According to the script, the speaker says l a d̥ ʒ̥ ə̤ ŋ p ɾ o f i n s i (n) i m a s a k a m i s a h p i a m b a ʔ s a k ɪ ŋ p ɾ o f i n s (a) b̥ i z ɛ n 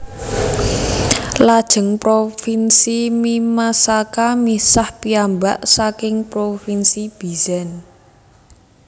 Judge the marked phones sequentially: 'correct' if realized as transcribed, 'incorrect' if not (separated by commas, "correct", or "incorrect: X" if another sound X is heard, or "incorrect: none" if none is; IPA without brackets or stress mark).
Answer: incorrect: m, incorrect: i